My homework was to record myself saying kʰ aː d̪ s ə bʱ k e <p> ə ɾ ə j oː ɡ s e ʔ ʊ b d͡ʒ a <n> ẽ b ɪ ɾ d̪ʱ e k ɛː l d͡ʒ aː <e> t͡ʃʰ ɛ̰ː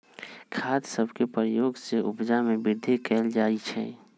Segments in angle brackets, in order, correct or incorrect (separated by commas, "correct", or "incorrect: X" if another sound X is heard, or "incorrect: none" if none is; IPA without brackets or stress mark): correct, incorrect: m, incorrect: i